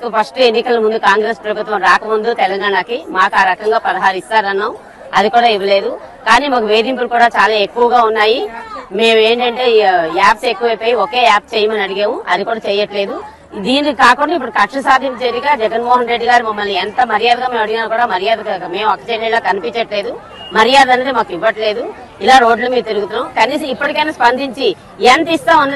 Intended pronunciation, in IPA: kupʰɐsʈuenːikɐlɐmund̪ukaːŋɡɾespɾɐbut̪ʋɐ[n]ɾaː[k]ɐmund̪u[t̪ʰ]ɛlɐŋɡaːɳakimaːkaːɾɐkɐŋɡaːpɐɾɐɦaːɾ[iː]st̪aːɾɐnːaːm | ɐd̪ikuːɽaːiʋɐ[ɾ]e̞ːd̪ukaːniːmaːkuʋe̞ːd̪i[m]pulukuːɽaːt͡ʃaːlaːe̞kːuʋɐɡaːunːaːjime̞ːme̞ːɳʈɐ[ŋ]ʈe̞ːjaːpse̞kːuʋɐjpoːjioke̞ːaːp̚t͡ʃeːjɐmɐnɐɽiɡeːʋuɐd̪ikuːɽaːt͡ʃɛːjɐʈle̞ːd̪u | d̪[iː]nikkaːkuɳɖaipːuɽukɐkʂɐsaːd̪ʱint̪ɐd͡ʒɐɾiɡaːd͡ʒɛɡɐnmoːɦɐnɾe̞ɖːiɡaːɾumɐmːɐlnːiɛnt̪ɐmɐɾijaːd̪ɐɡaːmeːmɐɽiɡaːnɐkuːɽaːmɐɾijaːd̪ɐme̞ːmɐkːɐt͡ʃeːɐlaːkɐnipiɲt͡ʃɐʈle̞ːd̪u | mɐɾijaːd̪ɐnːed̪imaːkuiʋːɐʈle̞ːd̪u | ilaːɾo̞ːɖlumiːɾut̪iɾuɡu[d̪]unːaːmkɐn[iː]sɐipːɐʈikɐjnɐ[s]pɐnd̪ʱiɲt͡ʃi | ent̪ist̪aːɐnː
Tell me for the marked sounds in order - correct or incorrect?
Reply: incorrect, correct, incorrect, incorrect, incorrect, correct, incorrect, correct, incorrect, correct, correct

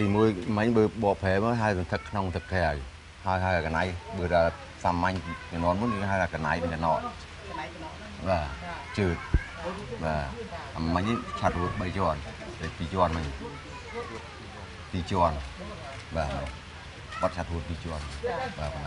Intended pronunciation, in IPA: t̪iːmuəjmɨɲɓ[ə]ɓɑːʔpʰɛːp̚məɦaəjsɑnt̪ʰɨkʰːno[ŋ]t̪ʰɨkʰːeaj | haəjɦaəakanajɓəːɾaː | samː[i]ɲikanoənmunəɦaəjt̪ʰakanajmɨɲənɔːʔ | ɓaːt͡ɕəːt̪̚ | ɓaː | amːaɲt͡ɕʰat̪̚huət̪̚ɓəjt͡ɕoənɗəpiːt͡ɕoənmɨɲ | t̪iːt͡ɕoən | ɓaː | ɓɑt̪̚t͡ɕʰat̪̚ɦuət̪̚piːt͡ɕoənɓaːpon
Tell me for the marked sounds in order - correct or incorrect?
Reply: incorrect, correct, incorrect

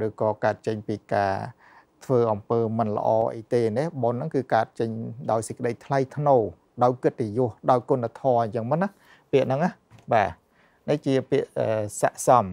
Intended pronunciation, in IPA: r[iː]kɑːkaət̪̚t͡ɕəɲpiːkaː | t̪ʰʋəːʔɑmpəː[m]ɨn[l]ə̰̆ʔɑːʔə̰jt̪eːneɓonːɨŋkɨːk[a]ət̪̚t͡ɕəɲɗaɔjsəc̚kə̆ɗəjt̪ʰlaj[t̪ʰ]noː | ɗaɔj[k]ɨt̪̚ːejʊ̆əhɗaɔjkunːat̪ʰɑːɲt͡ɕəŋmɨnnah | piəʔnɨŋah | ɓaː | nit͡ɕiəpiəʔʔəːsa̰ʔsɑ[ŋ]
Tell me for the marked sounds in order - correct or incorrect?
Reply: incorrect, correct, correct, correct, correct, correct, incorrect

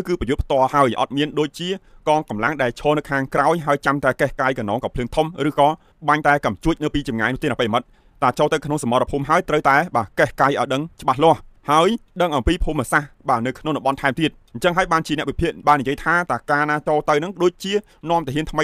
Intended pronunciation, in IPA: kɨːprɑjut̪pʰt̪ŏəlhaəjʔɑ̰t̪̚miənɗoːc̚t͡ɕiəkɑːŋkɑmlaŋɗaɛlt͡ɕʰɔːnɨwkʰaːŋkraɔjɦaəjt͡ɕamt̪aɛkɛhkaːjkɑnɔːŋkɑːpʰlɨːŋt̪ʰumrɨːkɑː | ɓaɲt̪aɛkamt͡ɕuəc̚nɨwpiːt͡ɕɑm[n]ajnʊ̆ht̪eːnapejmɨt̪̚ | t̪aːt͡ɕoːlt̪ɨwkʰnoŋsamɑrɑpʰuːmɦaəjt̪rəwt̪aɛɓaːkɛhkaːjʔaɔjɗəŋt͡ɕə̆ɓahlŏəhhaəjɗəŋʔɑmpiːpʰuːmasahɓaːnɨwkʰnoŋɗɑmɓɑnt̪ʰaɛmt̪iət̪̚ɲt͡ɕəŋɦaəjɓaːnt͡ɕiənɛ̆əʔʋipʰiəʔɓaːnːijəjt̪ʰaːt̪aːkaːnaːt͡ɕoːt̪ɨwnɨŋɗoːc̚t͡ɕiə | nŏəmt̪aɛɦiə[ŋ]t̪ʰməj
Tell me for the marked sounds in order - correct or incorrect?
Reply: incorrect, incorrect

